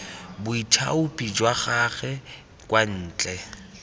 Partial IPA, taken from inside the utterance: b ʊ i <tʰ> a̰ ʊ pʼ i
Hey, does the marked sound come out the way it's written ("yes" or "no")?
yes